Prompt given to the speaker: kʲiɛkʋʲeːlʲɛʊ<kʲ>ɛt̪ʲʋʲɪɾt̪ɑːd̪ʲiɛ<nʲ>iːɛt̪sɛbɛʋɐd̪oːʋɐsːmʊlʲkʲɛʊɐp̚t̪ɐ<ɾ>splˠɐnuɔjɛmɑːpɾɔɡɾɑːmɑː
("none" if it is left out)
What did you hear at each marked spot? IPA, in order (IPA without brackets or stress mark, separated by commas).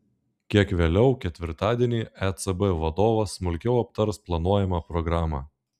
kʲ, nʲ, ɾ